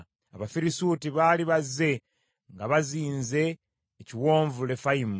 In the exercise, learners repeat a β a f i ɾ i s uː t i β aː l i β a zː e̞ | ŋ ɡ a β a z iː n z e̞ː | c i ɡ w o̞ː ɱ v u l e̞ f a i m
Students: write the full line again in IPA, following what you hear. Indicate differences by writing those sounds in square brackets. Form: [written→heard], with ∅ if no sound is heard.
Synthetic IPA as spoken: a β a f i ɾ i s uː t i β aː l i β a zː e̞ | ŋ ɡ a β a z iː n z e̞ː | c i [ɡ→∅] w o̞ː ɱ v u l e̞ f a i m